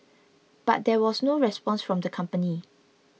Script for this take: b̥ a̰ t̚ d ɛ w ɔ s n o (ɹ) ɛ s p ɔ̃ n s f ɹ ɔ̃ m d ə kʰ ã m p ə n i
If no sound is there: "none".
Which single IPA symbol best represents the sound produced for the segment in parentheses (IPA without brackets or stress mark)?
ɹ